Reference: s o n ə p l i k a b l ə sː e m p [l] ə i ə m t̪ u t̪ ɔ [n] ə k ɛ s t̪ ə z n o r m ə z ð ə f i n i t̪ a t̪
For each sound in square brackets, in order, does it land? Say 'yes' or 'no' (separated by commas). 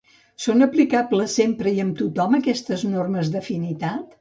no, no